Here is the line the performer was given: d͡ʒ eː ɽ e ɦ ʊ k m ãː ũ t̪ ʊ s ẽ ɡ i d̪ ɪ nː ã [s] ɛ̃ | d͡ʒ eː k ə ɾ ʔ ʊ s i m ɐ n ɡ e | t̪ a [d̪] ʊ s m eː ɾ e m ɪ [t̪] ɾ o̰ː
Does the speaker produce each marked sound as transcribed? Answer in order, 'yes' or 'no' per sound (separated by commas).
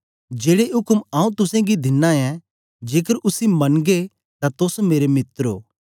no, no, yes